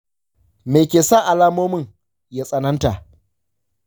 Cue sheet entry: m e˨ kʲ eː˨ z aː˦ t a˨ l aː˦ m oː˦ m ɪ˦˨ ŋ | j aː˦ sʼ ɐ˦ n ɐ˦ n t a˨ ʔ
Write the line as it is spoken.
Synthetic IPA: m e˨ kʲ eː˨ s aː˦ ʔ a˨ l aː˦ m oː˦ m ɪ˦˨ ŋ | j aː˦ sʼ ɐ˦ n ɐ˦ n t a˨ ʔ

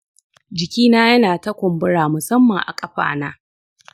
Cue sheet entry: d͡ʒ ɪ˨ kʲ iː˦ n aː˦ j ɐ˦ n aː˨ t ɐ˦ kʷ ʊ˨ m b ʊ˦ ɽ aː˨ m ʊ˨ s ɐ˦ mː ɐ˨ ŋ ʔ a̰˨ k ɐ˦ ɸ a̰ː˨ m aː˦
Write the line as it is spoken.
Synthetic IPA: d͡ʒ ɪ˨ kʲ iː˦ n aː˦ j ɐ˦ n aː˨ t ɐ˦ kʷ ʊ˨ m b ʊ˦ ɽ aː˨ m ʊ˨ s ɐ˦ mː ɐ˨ ŋ ʔ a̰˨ kʼ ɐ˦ ɸ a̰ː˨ n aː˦

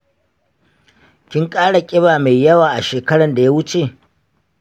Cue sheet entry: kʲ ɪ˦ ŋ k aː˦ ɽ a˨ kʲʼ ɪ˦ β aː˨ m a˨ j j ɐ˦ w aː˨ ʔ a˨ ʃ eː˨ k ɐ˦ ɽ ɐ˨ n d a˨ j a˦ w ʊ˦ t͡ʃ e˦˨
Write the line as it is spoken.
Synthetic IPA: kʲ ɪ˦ ŋ kʼ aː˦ ɽ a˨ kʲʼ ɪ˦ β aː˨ m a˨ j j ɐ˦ w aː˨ ʔ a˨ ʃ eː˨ k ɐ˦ ɽ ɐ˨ n d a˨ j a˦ w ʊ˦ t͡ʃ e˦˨

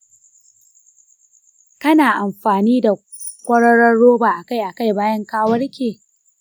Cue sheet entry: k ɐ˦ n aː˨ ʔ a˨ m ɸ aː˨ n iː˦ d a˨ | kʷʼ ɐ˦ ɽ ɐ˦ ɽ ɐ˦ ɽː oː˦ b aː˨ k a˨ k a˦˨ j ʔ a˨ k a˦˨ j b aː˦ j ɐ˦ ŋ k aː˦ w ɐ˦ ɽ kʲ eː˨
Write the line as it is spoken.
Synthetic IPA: k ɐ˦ n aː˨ ʔ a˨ m ɸ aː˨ n iː˦ d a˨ | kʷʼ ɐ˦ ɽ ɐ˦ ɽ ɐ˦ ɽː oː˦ b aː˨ ʔ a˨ k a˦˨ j ʔ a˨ k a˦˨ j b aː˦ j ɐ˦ ŋ k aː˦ w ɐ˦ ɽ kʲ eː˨

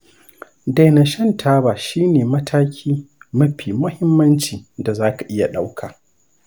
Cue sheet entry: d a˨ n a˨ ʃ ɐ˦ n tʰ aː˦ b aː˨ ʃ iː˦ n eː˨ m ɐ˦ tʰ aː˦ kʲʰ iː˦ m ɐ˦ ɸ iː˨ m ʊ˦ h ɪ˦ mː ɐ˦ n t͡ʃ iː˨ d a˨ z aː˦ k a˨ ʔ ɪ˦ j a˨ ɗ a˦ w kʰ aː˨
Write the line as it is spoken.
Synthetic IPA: d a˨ n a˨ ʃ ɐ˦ n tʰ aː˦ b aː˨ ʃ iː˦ n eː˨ m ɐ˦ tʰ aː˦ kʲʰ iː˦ m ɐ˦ ɸ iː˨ m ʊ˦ h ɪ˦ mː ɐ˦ n t͡ʃ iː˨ d a˨ z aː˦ k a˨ ʔ ɪ˦ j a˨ ɗ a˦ w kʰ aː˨

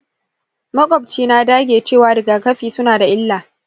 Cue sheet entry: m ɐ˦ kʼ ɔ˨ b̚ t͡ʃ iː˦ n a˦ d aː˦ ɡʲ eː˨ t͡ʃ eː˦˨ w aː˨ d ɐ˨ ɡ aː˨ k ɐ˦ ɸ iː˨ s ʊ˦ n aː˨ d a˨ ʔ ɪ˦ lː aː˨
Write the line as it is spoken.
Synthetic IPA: m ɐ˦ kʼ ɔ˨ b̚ t͡ʃ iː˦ n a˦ d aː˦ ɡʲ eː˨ t͡ʃ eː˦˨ w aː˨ d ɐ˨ ɡ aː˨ k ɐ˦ ɸ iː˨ s ʊ˦ n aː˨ d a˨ ʔ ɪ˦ lː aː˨

